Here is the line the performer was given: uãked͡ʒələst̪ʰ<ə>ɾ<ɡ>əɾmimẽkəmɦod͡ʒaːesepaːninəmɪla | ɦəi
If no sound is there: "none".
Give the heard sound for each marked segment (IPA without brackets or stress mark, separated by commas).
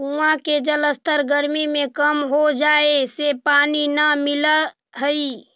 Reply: ə, ɡ